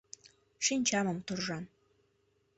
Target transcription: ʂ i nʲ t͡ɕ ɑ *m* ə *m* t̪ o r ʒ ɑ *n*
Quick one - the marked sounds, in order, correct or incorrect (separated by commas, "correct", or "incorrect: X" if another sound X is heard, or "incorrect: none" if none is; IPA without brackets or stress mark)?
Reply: correct, correct, correct